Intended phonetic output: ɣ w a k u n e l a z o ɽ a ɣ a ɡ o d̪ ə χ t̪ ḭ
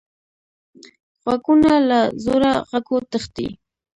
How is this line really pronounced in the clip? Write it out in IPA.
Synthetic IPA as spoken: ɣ w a k u n a l a z o ɾ a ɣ a k o t̪ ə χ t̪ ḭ